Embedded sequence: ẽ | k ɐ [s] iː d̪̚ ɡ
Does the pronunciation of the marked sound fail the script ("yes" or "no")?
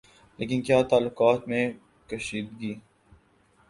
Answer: yes